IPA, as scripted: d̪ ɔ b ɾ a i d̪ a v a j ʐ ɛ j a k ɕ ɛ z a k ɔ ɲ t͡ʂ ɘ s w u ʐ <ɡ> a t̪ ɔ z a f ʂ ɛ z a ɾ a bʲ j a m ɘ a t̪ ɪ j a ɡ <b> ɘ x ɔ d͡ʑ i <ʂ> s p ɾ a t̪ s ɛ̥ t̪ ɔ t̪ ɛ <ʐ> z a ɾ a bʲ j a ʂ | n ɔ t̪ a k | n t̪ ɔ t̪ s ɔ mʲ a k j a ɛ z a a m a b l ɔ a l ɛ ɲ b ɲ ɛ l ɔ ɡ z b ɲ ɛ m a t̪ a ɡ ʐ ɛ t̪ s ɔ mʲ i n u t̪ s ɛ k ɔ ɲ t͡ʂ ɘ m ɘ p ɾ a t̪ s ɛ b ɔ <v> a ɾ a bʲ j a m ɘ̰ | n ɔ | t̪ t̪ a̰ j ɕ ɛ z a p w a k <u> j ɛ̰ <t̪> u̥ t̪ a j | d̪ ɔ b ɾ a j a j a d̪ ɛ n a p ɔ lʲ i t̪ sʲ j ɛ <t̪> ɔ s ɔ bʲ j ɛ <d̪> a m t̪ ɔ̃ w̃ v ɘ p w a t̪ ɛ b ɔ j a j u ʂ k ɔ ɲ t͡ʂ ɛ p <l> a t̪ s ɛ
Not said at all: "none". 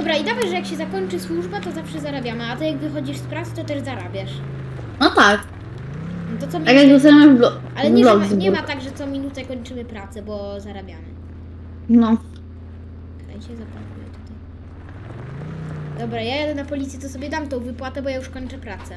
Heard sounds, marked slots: b, v, ʂ, ʐ, z, u, t̪, t̪, d̪, ɾ

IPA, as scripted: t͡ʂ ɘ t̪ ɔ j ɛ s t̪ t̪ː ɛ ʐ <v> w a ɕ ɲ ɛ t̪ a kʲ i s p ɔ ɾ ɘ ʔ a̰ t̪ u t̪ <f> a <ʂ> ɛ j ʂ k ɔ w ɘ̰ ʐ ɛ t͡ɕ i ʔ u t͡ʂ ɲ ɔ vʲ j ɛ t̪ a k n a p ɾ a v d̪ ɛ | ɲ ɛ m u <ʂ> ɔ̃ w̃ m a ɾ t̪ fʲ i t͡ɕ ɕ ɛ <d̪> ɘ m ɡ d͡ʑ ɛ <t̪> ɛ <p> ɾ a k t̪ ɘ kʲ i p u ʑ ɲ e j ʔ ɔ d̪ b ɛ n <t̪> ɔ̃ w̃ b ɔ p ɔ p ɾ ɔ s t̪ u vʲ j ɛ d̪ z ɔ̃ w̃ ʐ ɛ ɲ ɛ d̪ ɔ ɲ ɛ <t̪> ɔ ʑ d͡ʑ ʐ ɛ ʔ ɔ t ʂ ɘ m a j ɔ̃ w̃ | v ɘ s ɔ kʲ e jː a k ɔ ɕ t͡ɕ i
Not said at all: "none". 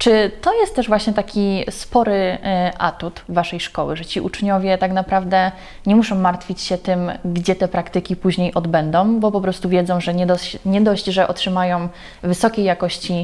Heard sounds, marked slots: v, v, ʂ, ʂ, t̪, t̪, p, d̪, d̪

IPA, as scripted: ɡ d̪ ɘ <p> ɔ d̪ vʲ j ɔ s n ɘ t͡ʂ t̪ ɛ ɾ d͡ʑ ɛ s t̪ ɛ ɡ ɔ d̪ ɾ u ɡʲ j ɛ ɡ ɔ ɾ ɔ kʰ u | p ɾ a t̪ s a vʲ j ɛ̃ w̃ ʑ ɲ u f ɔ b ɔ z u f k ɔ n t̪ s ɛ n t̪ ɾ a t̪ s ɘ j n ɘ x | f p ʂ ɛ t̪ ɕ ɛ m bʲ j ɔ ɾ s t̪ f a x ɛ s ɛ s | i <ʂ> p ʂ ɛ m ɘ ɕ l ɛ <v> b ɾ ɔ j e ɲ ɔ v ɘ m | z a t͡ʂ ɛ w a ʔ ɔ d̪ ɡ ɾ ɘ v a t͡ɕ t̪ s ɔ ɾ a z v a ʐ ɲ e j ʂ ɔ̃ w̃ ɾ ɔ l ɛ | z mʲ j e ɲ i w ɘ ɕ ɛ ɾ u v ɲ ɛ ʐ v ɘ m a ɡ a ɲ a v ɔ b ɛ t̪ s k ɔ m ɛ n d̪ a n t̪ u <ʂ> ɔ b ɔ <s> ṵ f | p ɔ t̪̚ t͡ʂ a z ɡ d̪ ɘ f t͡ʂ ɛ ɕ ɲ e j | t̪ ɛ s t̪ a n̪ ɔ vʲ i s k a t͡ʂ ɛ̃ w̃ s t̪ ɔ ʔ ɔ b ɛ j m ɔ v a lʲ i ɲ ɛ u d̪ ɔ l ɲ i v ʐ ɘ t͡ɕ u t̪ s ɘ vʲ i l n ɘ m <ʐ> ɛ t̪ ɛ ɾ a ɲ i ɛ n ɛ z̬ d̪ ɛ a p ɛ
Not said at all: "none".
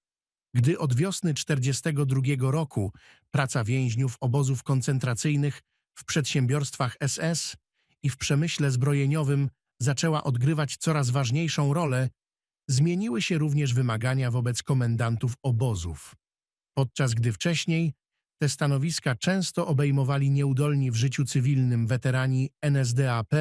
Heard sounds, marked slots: ʔ, f, z, f, z, v

